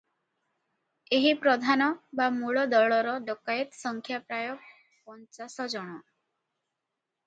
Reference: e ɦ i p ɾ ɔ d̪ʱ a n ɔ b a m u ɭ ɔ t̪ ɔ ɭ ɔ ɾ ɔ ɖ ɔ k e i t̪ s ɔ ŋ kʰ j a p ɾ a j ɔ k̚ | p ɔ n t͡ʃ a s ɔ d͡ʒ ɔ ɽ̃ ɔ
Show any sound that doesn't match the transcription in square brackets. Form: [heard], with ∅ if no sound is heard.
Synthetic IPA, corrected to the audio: e ɦ i p ɾ ɔ d̪ʱ a n ɔ b a m u ɭ ɔ [d̪] ɔ ɭ ɔ ɾ ɔ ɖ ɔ k [a] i t̪ s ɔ ŋ kʰ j a p ɾ a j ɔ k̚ | p ɔ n t͡ʃ a s ɔ d͡ʒ ɔ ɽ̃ ɔ